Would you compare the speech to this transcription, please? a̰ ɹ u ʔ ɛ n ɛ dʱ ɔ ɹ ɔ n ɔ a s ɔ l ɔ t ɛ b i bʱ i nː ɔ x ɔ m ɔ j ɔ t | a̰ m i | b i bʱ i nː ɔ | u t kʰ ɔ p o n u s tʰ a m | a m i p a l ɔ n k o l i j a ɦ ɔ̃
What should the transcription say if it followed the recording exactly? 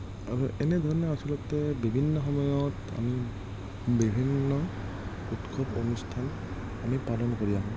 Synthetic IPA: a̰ ɹ u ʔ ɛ n ɛ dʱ ɔ ɹ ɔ n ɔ a s ɔ l ɔ t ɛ b i bʱ i nː ɔ x ɔ m ɔ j ɔ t | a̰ m i | b i bʱ i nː ɔ | u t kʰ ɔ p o n u s tʰ a n | a m i p a l ɔ n k o ɹ i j a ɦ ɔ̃